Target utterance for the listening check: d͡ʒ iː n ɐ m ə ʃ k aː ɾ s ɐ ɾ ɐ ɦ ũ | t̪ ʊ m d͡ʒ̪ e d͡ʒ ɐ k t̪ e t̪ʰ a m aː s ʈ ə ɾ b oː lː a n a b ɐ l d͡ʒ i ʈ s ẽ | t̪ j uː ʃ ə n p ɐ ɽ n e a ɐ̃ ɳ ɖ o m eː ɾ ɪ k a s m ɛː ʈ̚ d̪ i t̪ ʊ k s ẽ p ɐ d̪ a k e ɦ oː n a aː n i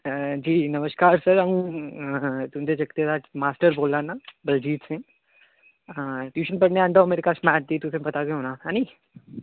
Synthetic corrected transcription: d͡ʒ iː n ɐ m ə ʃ k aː ɾ s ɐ ɾ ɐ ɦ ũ | t̪ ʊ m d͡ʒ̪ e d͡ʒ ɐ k t̪ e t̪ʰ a m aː s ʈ ə ɾ b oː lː a n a b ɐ l d͡ʒ iː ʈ s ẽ | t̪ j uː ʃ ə n p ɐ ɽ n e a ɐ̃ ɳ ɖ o m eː ɾ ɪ k a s m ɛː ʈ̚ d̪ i t̪ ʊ s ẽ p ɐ t̪ a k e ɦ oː n a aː n i